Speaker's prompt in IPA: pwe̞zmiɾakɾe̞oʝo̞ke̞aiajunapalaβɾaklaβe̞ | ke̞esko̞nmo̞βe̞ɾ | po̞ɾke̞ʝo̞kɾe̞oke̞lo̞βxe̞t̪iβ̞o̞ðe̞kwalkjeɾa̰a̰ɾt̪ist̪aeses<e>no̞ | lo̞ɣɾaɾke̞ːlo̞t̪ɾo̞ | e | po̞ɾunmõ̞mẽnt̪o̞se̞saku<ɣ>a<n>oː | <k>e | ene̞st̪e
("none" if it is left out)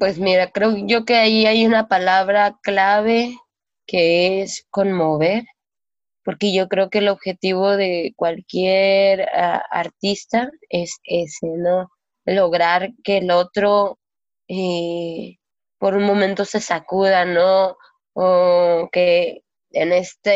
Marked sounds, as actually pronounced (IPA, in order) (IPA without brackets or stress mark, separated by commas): e, ð, n, k